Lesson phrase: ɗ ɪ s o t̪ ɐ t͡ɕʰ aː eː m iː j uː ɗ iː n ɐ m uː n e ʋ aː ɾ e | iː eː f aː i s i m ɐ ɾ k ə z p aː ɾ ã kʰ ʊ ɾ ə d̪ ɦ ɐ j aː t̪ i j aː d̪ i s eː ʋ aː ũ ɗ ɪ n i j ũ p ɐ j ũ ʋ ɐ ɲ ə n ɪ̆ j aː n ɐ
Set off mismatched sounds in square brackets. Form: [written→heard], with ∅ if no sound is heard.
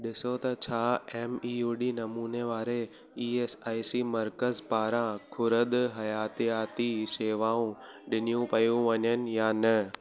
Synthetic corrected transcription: ɗ ɪ s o t̪ ɐ t͡ɕʰ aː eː m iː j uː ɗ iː n ɐ m uː n e ʋ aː ɾ e | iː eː [f→s] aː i s i m ɐ ɾ k ə z p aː ɾ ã kʰ ʊ ɾ ə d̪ ɦ ɐ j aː t̪ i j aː [d̪→t̪] i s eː ʋ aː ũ ɗ ɪ n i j ũ p ɐ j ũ ʋ ɐ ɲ ə n ɪ̆ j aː n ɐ